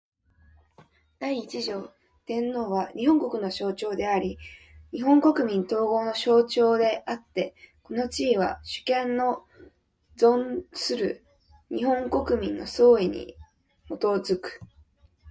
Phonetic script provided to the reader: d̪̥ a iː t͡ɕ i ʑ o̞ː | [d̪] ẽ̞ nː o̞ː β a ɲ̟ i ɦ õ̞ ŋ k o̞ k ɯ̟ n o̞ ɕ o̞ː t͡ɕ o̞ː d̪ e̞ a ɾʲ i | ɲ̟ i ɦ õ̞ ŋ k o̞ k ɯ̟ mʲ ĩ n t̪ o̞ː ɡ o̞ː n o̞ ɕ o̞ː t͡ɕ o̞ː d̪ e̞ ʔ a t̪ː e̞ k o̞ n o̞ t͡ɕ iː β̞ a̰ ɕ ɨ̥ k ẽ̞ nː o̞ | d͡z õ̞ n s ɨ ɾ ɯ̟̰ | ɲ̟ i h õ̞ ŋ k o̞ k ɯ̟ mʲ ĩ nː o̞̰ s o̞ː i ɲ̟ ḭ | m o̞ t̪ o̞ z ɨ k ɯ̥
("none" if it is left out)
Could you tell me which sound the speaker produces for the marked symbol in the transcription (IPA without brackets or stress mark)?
t̪